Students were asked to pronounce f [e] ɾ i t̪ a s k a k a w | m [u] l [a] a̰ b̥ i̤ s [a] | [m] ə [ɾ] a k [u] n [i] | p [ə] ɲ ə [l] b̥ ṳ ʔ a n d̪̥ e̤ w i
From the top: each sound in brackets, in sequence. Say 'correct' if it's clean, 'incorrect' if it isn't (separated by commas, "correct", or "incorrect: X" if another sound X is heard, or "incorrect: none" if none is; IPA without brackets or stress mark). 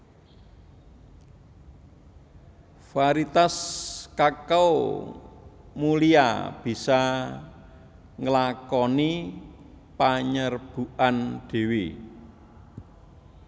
incorrect: a, correct, incorrect: i, correct, incorrect: ŋ, incorrect: l, incorrect: ɔ, correct, incorrect: a, incorrect: r